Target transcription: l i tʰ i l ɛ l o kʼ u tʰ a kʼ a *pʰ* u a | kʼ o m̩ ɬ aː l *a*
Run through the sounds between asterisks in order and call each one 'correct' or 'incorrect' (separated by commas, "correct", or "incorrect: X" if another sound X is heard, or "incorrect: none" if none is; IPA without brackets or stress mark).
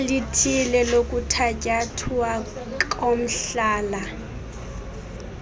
incorrect: tʰ, correct